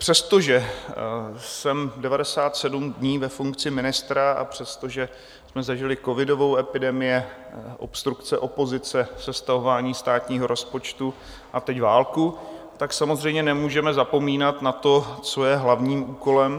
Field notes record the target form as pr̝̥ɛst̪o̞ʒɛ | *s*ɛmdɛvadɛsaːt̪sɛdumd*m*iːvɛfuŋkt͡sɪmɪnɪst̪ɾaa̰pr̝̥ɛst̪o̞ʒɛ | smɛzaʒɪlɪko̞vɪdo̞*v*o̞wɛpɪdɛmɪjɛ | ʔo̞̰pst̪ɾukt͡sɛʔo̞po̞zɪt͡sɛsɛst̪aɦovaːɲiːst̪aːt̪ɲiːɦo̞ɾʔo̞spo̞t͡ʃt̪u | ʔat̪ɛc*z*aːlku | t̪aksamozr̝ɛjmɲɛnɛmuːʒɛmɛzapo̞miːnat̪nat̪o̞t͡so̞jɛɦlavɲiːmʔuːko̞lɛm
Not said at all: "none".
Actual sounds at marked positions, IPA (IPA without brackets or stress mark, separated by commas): s, ɲ, v, v